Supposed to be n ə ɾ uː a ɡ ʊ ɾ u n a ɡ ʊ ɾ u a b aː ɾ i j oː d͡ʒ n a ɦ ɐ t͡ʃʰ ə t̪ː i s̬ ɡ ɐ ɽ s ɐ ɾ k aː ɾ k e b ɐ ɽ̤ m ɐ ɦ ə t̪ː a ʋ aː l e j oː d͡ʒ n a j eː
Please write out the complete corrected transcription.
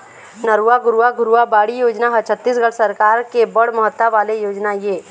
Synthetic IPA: n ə ɾ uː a ɡ ʊ ɾ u a ɡ ʊ ɾ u a b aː ɽ i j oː d͡ʒ n a ɦ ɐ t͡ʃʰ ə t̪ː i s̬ ɡ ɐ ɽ s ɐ ɾ k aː ɾ k e b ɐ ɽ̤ m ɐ ɦ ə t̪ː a ʋ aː l e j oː d͡ʒ n a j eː